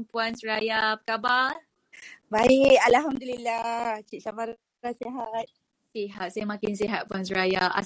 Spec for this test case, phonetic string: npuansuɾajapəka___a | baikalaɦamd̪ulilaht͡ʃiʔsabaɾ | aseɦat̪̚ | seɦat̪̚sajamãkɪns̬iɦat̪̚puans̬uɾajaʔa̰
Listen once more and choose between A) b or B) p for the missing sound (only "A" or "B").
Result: A